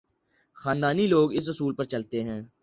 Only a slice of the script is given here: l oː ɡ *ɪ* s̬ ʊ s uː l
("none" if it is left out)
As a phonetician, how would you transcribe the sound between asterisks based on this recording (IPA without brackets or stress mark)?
ɪ